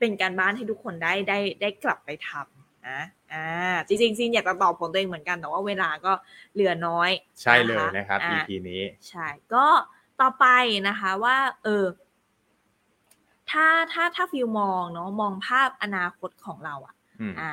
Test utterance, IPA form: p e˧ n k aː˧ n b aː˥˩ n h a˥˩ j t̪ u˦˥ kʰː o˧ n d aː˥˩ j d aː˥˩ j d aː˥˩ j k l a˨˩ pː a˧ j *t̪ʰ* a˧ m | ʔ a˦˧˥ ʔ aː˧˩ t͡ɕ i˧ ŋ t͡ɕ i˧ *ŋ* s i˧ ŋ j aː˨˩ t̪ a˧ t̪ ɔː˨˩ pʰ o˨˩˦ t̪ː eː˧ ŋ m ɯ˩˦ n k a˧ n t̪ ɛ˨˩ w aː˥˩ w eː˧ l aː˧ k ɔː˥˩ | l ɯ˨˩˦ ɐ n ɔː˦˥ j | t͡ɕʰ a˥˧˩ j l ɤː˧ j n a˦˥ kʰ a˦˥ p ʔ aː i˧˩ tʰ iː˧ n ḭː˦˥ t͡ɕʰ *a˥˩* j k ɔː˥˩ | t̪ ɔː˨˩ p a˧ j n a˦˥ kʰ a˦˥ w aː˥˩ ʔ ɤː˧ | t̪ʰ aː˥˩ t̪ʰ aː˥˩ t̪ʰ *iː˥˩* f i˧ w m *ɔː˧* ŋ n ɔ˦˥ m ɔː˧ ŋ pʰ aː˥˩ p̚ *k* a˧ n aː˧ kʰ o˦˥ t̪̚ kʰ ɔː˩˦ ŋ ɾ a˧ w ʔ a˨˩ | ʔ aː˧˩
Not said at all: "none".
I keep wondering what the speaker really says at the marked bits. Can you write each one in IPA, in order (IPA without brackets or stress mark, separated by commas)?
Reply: t̪ʰ, ŋ, a˥˩, aː˥˩, ɔː˧, ʔ